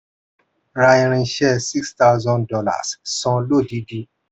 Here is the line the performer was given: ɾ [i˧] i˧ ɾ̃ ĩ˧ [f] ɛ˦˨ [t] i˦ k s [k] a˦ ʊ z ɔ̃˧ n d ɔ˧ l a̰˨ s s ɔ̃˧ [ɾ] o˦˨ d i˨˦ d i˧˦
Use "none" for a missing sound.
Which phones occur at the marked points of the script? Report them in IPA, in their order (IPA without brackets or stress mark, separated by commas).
a˧, ʃ, s, t, l